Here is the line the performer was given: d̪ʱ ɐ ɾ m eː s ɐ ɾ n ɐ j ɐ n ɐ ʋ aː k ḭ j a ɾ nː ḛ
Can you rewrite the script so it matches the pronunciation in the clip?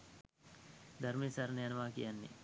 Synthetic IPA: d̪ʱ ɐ ɾ m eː s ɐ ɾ n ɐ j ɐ n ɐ ʋ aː k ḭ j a nː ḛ